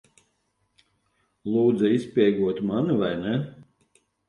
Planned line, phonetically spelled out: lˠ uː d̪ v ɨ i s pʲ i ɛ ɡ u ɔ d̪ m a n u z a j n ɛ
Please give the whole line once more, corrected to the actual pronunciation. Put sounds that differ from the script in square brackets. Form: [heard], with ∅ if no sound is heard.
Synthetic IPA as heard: lˠ uː d̪ [z] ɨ i s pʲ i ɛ ɡ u ɔ [t̪] m a n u [v] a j n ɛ